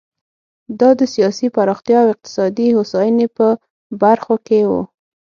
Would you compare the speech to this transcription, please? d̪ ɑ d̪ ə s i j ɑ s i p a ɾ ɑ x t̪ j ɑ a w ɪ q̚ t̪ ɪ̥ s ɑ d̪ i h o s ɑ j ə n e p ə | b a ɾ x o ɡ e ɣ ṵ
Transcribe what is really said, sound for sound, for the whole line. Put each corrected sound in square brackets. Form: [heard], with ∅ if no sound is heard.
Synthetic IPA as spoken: d̪ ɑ d̪ ə s i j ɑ s i p a ɾ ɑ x t̪ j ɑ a w ɪ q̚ t̪ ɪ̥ s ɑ d̪ i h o s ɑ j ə n e p ə | b a ɾ x o [k] e [w] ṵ

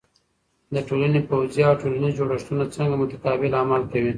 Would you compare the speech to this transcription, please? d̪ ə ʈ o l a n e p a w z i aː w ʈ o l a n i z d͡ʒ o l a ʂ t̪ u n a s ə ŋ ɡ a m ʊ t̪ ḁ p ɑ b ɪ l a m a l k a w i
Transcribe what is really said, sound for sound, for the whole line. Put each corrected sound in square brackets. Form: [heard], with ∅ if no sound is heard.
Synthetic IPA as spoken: d̪ ə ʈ o l a n e p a w z [j] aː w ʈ o l a n i z d͡ʒ o [ɽ] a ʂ t̪ u n a [t͡s] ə ŋ ɡ a m ʊ t̪ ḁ [k] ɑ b ɪ l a m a l k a w i

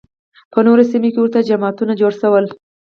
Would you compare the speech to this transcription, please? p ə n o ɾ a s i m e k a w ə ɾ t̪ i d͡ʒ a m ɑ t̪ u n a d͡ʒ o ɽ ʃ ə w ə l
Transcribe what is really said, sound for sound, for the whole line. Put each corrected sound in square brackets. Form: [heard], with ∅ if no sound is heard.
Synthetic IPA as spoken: p ə n o ɾ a s i m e k [e] w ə ɾ t̪ [a] d͡ʒ a m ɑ t̪ u n a d͡ʒ o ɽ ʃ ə w ə l

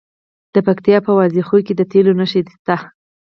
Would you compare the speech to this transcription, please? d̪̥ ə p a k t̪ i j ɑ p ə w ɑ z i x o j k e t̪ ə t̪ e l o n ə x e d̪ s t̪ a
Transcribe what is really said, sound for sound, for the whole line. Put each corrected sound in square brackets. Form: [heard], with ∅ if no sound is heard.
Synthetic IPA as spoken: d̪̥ ə p a k t̪ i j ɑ p ə w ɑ z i x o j k e [d̪] ə t̪ e l o n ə [ʃ] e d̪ s t̪ a

